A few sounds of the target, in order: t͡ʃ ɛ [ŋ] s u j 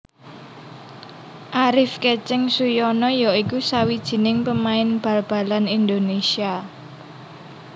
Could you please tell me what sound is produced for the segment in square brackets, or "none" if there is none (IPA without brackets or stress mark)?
ŋ